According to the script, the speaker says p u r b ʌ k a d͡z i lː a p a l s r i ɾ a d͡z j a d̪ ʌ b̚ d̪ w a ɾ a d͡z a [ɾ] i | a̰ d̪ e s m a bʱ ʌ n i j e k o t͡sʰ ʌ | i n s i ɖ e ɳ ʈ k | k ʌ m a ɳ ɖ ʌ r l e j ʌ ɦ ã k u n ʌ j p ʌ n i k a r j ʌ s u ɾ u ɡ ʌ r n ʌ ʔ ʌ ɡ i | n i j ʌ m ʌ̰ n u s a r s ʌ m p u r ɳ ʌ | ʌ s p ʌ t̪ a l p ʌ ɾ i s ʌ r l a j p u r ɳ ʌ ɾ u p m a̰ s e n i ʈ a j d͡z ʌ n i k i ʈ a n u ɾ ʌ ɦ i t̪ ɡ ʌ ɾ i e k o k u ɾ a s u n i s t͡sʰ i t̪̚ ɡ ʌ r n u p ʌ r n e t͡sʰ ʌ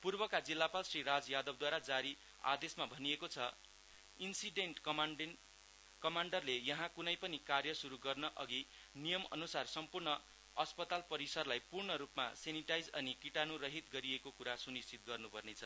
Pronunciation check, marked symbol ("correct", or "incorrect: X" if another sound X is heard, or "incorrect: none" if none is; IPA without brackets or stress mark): correct